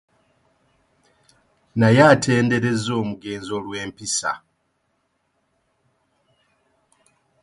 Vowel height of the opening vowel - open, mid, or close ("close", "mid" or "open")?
open